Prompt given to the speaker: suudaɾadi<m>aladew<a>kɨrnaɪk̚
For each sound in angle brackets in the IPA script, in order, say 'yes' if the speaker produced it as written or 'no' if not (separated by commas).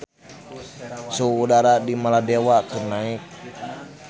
yes, yes